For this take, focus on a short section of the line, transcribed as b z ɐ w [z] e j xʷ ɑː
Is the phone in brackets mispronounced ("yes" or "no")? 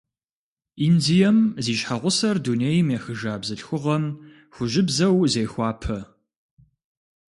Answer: no